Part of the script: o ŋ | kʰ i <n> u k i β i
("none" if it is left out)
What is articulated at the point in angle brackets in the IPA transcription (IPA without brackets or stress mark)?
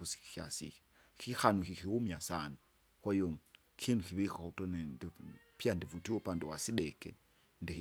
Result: n